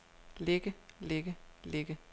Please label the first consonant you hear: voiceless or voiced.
voiced